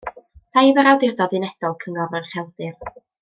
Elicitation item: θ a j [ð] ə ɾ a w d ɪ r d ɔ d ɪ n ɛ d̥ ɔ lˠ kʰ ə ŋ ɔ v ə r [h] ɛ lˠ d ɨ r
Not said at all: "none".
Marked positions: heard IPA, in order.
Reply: v, χ

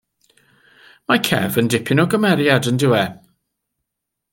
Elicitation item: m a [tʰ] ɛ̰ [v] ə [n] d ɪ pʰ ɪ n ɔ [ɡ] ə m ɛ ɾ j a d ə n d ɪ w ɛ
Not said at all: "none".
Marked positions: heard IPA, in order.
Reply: kʰ, v, n, ɡ

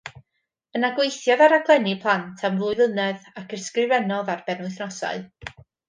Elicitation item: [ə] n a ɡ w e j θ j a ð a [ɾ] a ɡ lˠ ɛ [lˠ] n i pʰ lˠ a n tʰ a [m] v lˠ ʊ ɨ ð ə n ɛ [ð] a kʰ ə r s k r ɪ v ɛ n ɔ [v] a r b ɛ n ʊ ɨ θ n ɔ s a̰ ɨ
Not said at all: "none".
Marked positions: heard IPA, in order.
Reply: ə, ɾ, none, m, ð, ð

